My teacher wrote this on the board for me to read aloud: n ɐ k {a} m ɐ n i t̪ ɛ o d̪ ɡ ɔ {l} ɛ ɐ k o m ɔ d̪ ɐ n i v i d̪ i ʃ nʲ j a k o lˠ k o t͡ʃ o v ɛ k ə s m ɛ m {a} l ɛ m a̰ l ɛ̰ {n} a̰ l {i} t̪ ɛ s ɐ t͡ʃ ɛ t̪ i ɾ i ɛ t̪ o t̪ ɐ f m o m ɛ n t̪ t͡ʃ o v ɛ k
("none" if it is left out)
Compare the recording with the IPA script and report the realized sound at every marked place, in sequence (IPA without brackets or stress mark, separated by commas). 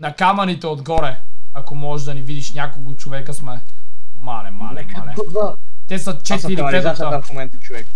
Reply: a, ɾ, a, m, ɛ